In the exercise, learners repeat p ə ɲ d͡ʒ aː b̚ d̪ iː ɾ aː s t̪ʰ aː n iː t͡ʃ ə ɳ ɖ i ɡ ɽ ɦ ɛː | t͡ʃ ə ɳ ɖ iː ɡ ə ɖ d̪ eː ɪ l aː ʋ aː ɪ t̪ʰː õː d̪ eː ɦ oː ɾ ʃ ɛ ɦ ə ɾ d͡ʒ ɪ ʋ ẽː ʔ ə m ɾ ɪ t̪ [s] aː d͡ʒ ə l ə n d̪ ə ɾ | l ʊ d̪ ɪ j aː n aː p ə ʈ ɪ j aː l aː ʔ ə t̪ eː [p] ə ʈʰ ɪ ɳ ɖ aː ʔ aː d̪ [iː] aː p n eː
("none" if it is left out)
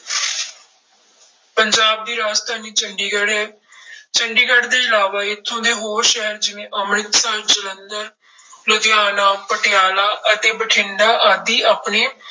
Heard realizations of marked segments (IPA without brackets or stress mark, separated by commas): s, b, iː